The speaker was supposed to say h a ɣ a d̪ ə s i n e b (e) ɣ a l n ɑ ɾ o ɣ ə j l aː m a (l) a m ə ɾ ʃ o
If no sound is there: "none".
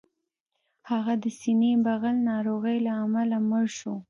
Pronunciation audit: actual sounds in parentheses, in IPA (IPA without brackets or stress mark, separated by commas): a, l